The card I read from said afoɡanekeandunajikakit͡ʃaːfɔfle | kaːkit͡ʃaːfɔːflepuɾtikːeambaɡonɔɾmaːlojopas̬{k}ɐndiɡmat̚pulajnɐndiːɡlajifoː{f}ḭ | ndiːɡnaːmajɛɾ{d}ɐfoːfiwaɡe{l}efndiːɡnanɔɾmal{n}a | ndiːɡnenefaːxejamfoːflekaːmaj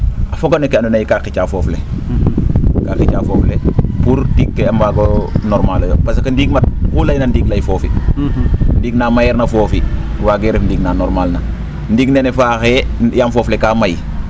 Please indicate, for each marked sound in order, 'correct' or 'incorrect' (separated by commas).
correct, correct, incorrect, incorrect, correct